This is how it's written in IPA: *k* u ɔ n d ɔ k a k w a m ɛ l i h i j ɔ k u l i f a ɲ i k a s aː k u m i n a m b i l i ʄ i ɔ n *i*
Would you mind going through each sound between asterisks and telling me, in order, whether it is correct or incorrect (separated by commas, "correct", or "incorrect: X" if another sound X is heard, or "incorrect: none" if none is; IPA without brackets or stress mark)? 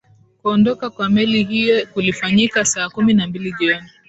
correct, correct